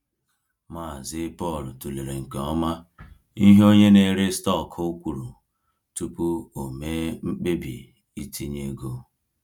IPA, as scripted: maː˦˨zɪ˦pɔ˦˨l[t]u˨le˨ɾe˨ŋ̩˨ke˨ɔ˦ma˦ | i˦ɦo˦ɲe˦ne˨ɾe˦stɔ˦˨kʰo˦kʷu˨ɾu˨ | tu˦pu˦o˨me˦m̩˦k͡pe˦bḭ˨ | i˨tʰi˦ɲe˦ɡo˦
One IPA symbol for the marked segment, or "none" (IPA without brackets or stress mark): t